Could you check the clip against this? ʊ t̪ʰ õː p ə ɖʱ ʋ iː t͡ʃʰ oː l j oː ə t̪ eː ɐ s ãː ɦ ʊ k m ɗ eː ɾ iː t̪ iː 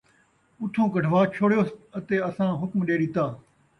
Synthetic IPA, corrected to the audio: ʊ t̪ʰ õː k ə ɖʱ ʋ aː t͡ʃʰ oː ɽ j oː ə t̪ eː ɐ s ãː ɦ ʊ k m ɗ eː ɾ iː t̪ aː